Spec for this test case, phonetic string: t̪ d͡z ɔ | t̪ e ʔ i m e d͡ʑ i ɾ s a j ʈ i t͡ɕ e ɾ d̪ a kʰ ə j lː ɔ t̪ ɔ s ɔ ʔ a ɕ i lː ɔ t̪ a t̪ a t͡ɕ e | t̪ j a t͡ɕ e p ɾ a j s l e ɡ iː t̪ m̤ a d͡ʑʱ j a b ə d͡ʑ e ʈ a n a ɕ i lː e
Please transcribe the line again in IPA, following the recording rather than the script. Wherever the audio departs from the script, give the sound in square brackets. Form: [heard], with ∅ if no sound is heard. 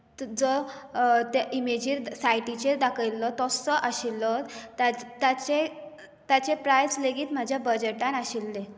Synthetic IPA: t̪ d͡z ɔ | t̪ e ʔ i m e d͡ʑ i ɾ s a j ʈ i t͡ɕ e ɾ d̪ a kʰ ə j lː ɔ t̪ ɔ s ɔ ʔ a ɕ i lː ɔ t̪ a t̪ a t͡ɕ e | t̪ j a t͡ɕ e p ɾ a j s l e ɡ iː t̪ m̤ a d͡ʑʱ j a b ə d͡ʑ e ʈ a n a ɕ i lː e